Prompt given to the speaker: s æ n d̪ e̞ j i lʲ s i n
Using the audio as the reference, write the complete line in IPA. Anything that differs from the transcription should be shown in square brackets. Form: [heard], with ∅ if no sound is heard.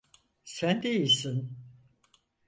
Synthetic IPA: s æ n d̪ e̞ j i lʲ s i n

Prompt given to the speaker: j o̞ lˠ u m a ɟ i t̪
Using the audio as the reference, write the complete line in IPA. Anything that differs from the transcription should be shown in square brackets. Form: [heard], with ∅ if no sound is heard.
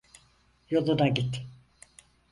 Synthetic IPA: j o̞ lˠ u [n] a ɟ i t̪

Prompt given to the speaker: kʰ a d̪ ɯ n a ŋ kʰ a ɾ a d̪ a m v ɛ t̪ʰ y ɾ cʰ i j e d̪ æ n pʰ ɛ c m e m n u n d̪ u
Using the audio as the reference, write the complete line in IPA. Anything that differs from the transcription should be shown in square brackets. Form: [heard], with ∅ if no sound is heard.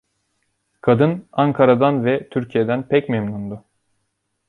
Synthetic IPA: kʰ a d̪ ɯ n a ŋ kʰ a ɾ a d̪ a [n] v ɛ t̪ʰ y ɾ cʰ i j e d̪ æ n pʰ ɛ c m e m n u n d̪ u

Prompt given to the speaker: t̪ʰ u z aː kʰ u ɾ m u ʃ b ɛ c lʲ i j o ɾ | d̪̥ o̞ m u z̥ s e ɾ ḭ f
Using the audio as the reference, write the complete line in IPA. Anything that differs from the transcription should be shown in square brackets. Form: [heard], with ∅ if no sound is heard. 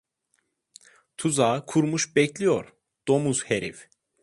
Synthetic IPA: t̪ʰ u z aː kʰ u ɾ m u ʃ b ɛ c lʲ i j o ɾ | d̪̥ o̞ m u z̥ [h] e ɾ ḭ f

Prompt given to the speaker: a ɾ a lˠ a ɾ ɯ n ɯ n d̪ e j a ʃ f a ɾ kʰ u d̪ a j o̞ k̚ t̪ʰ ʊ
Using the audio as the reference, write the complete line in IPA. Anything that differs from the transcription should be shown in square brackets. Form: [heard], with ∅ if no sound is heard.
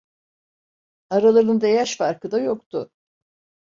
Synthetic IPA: a ɾ a lˠ a ɾ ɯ n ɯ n d̪ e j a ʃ f a ɾ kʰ [ɯ] d̪ a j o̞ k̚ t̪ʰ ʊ

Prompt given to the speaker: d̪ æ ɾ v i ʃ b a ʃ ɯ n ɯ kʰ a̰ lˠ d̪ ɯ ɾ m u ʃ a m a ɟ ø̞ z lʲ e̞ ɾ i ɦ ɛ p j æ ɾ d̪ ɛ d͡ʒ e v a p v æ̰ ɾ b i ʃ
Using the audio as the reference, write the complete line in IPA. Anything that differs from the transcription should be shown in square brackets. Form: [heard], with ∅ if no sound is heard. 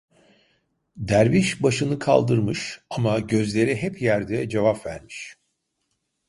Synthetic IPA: d̪ æ ɾ v i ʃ b a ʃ ɯ n ɯ kʰ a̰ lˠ d̪ ɯ ɾ m [ɯ] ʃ a m a ɟ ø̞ z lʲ e̞ ɾ i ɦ ɛ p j æ ɾ d̪ ɛ d͡ʒ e v a p v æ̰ ɾ [m] i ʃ

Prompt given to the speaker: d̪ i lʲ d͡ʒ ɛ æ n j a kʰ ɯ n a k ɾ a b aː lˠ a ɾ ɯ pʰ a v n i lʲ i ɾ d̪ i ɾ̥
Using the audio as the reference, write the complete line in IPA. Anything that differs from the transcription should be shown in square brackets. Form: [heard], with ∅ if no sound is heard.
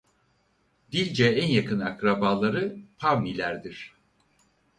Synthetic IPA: d̪ i lʲ d͡ʒ ɛ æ n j a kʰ ɯ n a k ɾ a b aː lˠ a ɾ ɯ pʰ a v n i lʲ [æ] ɾ d̪ i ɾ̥

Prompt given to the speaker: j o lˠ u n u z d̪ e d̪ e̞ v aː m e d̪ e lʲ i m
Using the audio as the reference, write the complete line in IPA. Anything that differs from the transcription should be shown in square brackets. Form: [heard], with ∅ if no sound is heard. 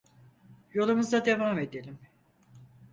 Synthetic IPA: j o lˠ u [m] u z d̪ [a] d̪ e̞ v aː m e d̪ e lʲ i m

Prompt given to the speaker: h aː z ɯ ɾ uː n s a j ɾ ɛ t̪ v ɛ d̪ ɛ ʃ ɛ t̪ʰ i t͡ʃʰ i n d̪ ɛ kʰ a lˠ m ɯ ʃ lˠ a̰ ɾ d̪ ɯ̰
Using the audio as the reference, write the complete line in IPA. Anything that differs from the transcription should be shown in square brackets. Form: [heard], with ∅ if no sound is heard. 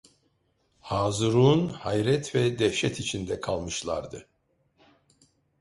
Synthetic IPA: h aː z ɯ ɾ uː n [h] a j ɾ ɛ t̪ v ɛ d̪ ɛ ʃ ɛ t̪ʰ i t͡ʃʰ i n d̪ ɛ kʰ a lˠ m ɯ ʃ lˠ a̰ ɾ d̪ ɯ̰

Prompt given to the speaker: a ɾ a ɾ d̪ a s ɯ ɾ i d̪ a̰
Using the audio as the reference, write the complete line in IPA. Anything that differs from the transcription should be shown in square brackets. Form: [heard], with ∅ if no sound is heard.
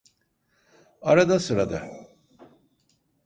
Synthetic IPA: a ɾ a [∅] d̪ a s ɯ ɾ [a] d̪ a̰

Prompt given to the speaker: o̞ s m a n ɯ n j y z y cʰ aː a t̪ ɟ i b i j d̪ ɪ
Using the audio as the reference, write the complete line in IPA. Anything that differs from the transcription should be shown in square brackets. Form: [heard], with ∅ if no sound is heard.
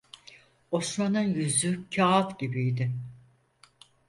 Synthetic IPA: o̞ s m a n ɯ n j y z y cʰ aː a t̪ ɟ i b i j d̪ ɪ

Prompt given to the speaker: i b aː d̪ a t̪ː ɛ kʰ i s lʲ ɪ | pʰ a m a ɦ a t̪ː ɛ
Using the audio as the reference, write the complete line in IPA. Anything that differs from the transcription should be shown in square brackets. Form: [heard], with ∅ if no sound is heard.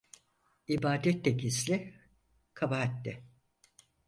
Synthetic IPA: i b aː d̪ [ɛ] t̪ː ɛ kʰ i s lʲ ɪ | [kʰ] a [b] a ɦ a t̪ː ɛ

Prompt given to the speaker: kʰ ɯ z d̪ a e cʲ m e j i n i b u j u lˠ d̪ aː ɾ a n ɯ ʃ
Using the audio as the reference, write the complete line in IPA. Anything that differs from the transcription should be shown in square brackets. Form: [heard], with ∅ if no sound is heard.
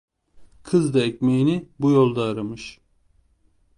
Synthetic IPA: kʰ ɯ z d̪ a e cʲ m e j i n i b u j [o] lˠ d̪ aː ɾ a [m] ɯ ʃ

